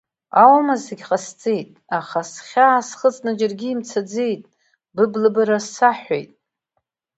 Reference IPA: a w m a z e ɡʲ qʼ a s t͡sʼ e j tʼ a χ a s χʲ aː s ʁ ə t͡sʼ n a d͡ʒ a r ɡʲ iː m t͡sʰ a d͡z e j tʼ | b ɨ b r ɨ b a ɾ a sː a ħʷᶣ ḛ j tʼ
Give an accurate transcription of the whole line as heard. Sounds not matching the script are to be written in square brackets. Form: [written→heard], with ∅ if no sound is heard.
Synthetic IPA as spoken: a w m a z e ɡʲ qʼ a s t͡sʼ e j tʼ a χ a s χʲ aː s [ʁ→χ] ə t͡sʼ n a d͡ʒ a r ɡʲ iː m t͡sʰ a d͡z e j tʼ | b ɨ b [r→l] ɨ b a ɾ a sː a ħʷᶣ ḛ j tʼ